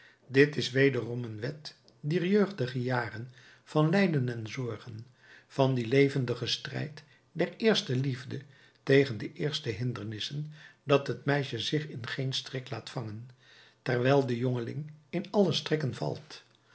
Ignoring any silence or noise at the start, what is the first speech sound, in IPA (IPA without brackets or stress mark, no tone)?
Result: d